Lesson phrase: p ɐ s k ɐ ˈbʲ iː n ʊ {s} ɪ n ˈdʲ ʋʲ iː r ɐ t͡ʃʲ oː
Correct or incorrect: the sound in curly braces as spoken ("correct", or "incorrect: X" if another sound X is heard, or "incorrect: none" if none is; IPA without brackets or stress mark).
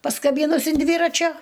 correct